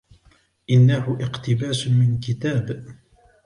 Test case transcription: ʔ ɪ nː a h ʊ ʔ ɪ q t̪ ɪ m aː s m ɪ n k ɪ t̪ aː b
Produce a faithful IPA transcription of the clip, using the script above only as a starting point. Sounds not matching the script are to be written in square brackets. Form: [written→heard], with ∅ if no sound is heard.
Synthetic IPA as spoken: ʔ ɪ nː a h ʊ ʔ ɪ q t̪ ɪ [m→b] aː s m ɪ n k ɪ t̪ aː b